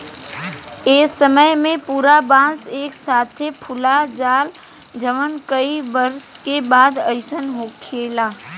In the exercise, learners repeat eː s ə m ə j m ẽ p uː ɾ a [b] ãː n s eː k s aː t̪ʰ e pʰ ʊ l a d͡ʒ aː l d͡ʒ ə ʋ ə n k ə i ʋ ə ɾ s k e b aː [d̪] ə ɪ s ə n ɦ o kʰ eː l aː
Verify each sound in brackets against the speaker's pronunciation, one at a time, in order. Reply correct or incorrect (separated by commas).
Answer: correct, correct